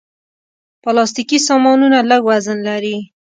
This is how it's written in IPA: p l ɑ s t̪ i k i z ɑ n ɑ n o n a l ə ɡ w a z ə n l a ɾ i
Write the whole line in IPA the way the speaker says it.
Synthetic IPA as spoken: p l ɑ s t̪ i k i s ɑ m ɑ n u n a l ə ɡ w a z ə n l a ɾ i